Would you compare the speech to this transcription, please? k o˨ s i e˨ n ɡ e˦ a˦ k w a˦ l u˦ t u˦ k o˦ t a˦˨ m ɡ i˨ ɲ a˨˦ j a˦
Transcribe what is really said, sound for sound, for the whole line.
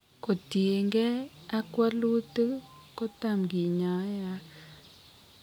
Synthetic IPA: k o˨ t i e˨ ŋ ɡ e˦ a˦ k w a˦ l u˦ t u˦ k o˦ t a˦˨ m ɡ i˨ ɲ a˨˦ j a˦